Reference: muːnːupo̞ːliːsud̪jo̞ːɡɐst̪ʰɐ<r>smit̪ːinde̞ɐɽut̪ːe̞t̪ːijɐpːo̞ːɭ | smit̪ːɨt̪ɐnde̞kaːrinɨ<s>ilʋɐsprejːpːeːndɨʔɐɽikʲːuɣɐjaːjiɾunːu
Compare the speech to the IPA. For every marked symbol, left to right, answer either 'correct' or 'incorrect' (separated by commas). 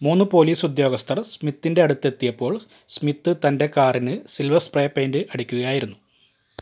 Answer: correct, correct